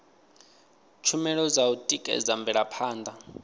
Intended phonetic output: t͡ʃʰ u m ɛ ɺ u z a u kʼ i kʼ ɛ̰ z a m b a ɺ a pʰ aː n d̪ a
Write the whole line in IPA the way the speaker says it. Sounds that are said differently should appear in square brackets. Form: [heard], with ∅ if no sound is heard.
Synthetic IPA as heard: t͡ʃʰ u m ɛ ɺ [ɔ] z a u [tʼ] i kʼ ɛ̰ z a m b [ɛ] ɺ a pʰ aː n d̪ a

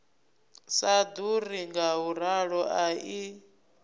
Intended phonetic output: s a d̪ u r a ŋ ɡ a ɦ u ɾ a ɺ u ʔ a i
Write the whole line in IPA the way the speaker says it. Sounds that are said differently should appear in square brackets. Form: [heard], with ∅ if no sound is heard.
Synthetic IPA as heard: s a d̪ u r [i] ŋ ɡ a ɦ u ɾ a ɺ [ɔ] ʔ a i

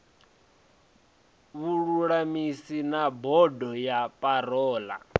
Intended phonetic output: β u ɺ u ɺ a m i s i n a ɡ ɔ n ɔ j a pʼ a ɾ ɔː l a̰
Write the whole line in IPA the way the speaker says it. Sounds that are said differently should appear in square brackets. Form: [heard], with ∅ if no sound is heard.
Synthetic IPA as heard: β u ɺ u ɺ a m i s i n a [b] ɔ [d] ɔ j a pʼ a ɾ ɔː l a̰

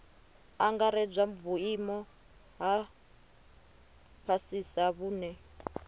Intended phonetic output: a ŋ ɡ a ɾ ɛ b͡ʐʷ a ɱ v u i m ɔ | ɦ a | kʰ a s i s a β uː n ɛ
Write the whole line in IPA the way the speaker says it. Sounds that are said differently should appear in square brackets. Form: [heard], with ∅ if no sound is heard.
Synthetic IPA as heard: a ŋ ɡ a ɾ ɛ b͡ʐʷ a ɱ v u i m ɔ | ɦ a | [pʰ] a s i s a β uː n ɛ

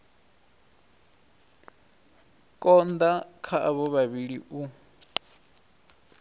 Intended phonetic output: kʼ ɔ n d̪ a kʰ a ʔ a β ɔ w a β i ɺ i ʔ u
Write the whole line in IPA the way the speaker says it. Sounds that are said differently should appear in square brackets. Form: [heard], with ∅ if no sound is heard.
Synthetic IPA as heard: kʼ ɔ n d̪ a kʰ a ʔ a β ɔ [β] a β i ɺ i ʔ u

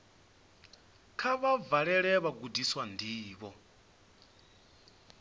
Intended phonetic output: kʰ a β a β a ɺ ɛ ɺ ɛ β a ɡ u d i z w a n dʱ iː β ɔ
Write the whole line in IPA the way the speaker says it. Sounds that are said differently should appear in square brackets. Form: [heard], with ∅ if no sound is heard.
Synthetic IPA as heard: kʰ a β a [v] a ɺ ɛ ɺ ɛ β a ɡ u d i [s] w a n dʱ iː β ɔ

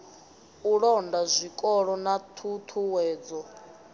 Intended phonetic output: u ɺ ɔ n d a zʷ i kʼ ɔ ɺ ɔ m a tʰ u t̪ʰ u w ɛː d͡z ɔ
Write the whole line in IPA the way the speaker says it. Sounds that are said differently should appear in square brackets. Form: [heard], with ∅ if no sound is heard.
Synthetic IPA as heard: u ɺ ɔ n d a zʷ i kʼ ɔ ɺ ɔ [n] a tʰ u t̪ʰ u w ɛː d͡z ɔ

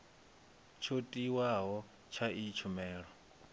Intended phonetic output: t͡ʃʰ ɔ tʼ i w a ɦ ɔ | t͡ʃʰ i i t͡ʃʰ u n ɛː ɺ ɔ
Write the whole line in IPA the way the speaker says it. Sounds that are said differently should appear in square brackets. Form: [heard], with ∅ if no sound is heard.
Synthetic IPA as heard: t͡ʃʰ [o] tʼ i w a ɦ ɔ | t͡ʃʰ [a] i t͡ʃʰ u [m] ɛː ɺ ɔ

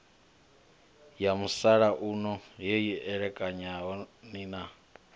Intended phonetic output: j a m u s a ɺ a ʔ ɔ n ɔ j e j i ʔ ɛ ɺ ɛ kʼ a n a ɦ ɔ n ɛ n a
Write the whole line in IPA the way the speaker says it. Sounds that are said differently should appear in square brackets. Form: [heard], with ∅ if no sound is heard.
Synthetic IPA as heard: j a m u s a ɺ a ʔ [u] n ɔ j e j i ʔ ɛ ɺ ɛ kʼ a [ɲ] a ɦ ɔ n [i] n a

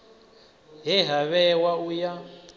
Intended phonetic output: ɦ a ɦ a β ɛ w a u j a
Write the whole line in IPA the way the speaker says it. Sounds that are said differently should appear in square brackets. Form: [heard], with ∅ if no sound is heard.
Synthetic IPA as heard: ɦ [ɛ] ɦ a β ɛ w a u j a

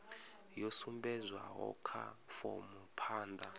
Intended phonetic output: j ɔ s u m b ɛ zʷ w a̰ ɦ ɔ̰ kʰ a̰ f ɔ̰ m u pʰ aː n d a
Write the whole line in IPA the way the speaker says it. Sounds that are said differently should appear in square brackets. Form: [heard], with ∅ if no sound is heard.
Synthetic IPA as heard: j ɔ s u m b ɛ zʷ w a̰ ɦ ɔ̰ kʰ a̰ f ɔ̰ m u pʰ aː n d a

